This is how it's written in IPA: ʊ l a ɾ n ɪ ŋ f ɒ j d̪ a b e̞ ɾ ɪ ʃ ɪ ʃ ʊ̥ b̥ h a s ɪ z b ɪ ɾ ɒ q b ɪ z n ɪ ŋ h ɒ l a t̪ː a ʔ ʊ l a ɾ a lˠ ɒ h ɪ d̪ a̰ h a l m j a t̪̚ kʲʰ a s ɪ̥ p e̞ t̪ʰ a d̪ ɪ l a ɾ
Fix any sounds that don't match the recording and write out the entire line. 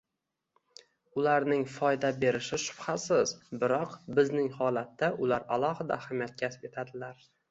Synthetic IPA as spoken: ʊ l a ɾ n ɪ ŋ f ɒ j d̪ a b e̞ ɾ ɪ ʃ ɪ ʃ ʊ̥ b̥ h a s ɪ z b ɪ ɾ ɒ q b ɪ z n ɪ ŋ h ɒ l a t̪ː a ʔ ʊ l a ɾ a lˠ ɒ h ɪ d̪ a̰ h a m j a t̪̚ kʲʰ a s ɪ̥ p e̞ t̪ʰ a d̪ ɪ l a ɾ

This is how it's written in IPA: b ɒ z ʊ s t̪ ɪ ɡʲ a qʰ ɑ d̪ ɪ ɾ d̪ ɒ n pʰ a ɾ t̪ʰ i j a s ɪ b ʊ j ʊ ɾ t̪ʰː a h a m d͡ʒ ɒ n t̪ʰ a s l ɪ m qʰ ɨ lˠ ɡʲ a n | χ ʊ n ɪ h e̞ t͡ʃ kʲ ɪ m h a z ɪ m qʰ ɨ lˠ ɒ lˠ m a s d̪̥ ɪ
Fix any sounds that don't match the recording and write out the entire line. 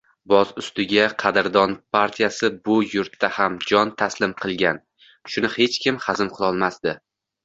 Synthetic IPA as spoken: b ɒ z ʊ s t̪ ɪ ɡʲ a qʰ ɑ d̪ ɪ ɾ d̪ ɒ n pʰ a ɾ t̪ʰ i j a s ɪ b ʊ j ʊ ɾ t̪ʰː a h a m d͡ʒ ɒ n t̪ʰ a s l ɪ m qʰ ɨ lˠ ɡʲ a n | ʃ ʊ n ɪ h e̞ t͡ʃ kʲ ɪ m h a z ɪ m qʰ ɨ lˠ ɒ lˠ m a s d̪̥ ɪ

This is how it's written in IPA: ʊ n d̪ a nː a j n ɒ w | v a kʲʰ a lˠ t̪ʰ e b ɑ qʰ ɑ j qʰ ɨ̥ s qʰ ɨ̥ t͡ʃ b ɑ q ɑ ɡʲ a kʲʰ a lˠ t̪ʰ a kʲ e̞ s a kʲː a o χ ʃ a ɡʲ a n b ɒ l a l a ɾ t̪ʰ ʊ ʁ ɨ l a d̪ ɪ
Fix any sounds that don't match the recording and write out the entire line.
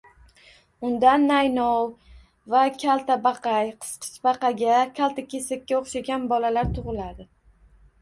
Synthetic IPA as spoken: ʊ n d̪ a nː a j n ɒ w | v a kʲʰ a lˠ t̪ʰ a b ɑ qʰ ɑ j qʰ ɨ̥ s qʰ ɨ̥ t͡ʃ b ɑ q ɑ ɡʲ a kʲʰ a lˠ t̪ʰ a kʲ e̞ s a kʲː a o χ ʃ a ɡʲ a n b ɒ l a l a ɾ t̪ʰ ʊ ʁ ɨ l a d̪ ɪ

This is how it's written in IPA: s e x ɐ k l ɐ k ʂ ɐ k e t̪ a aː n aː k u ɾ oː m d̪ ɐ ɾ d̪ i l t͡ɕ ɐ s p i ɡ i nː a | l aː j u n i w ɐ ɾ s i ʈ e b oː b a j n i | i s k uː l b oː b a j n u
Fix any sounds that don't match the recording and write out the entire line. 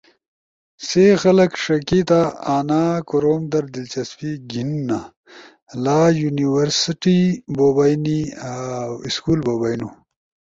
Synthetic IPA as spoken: s e x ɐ l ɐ k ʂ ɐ k i t̪ a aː n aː k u ɾ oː m d̪ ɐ ɾ d̪ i l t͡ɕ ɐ s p i ɡ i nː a | l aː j u n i w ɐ ɾ s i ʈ i b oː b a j n i | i s k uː l b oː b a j n u

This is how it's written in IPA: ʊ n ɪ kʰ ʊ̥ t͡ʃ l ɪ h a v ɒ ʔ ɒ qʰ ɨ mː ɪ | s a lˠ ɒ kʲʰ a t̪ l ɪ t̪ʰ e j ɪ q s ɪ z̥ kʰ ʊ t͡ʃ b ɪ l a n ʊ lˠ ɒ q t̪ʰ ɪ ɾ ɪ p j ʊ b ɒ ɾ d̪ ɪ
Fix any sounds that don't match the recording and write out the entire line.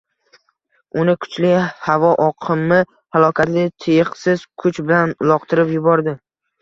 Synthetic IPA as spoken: ʊ n ɪ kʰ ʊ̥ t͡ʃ l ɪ h a v ɒ ʔ ɒ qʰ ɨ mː ɪ | h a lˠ ɒ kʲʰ a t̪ l ɪ t̪ʰ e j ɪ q s ɪ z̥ kʰ ʊ t͡ʃ b ɪ l a n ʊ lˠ ɒ q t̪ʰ ɪ ɾ ɪ p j ʊ b ɒ ɾ d̪ ɪ

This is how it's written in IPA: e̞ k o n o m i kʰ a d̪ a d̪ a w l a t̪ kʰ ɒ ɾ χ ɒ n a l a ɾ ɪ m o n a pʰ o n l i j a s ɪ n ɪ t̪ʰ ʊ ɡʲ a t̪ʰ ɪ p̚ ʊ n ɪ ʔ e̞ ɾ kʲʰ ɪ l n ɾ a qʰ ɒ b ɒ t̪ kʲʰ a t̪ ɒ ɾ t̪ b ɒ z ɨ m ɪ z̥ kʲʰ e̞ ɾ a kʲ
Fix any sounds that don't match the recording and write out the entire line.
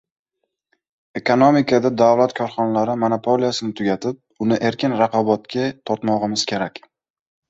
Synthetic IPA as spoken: e̞ k o n o m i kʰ a d̪ a d̪ a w l a t̪ kʰ ɒ ɾ χ ɒ n a l a ɾ ɪ m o n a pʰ o l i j a s ɪ n ɪ t̪ʰ ʊ ɡʲ a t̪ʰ ɪ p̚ ʊ n ɪ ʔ e̞ ɾ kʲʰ ɪ n ɾ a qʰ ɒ b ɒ t̪ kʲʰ a t̪ʰ ɒ ɾ t̪ m ɒ ʁ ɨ m ɪ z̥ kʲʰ e̞ ɾ a kʲ

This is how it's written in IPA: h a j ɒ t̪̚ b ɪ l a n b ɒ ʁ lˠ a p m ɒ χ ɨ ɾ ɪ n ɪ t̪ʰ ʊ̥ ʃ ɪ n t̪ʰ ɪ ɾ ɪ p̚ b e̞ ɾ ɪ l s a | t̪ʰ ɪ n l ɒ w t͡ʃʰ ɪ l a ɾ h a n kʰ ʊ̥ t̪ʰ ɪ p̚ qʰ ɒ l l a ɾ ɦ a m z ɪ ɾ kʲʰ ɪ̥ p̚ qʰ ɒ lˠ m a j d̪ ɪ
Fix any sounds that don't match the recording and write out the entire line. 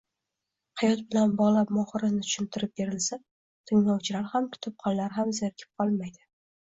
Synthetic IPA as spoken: h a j ɒ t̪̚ b ɪ l a n b ɒ ʁ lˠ a p m ɒ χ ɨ ɾ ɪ n ɪ t̪ʰ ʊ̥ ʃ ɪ n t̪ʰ ɪ ɾ ɪ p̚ b e̞ ɾ ɪ l s a | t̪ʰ ɪ ŋ l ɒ w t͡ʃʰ ɪ l a ɾ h a m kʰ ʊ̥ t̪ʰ ɪ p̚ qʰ ɒ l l a ɾ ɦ a m z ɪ ɾ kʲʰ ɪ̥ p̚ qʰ ɒ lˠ m a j d̪ ɪ

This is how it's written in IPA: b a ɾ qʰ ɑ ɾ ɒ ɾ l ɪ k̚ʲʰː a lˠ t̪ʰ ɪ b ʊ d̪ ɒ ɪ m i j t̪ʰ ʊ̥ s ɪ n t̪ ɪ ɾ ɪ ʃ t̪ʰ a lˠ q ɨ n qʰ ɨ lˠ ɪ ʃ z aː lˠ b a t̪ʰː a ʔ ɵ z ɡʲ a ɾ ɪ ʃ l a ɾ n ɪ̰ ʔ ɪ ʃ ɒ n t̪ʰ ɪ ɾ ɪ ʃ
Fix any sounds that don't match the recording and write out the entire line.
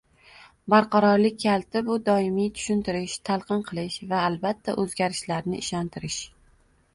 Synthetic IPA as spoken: b a ɾ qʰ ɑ ɾ ɒ ɾ l ɪ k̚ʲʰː a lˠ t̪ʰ ɪ b ʊ d̪ ɒ ɪ m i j t̪ʰ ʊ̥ ʃ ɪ n t̪ ɪ ɾ ɪ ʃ t̪ʰ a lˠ q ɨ n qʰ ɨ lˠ ɪ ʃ v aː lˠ b a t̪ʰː a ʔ ɵ z ɡʲ a ɾ ɪ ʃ l a ɾ n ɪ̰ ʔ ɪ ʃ ɒ n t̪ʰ ɪ ɾ ɪ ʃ

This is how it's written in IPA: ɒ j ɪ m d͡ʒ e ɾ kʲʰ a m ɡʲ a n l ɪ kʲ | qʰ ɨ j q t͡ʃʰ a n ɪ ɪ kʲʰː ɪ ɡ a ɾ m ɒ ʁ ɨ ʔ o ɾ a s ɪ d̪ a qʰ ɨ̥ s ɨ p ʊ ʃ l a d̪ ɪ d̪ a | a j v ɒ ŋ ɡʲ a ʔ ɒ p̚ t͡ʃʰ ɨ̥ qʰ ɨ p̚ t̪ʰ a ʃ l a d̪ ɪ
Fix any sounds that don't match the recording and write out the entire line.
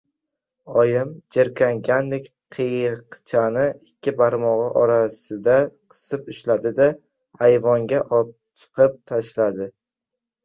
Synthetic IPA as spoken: ɒ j ɪ m d͡ʒ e ɾ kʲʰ a ŋ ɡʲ a n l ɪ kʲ | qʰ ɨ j q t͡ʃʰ a n ɪ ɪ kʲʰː ɪ b a ɾ m ɒ ʁ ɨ ʔ ɒ ɾ a s ɪ d̪ a qʰ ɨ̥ s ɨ p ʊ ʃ l a d̪ ɪ d̪ a | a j v ɒ ŋ ɡʲ a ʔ ɒ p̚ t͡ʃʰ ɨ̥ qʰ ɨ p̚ t̪ʰ a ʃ l a d̪ ɪ

